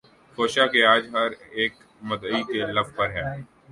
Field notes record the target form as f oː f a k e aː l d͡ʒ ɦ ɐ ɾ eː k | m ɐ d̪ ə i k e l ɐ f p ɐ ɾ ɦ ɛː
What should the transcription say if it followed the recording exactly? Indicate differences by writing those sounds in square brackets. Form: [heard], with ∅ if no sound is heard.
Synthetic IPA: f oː [ʃ] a k e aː [∅] d͡ʒ ɦ ɐ ɾ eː k | m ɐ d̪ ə i k e l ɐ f p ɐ ɾ ɦ ɛː